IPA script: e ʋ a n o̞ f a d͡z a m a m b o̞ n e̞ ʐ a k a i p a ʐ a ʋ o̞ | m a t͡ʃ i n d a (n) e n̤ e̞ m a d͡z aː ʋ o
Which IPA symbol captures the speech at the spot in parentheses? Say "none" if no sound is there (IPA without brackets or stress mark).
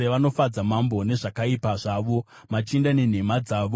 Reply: n